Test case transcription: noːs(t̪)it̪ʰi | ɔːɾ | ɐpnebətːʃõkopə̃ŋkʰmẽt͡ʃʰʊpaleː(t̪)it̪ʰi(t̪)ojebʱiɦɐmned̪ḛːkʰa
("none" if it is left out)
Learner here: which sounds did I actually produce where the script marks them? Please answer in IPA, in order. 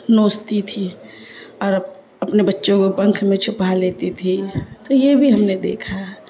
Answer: t̪, t̪, t̪

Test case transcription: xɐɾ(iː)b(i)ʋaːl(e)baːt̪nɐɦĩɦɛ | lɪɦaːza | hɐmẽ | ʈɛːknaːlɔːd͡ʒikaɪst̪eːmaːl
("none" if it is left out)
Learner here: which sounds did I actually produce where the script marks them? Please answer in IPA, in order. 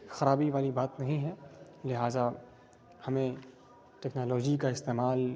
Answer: aː, i, i

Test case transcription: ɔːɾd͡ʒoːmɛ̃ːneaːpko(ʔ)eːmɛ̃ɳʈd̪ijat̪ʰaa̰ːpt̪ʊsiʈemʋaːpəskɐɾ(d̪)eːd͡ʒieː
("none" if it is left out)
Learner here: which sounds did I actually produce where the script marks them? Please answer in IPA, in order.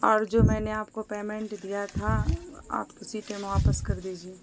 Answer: p, d̪

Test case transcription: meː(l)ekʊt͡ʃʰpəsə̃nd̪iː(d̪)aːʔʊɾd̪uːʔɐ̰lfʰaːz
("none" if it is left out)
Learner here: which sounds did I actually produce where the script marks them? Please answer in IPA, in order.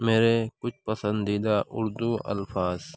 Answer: ɾ, d̪

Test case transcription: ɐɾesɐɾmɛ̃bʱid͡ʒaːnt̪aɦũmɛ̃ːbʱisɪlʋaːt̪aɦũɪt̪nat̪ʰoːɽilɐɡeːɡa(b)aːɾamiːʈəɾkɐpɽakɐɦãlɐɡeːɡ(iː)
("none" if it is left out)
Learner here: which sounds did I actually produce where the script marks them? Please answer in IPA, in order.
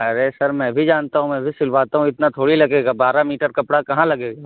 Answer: b, aː

